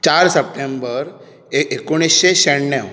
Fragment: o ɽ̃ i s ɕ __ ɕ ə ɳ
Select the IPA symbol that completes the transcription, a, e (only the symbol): e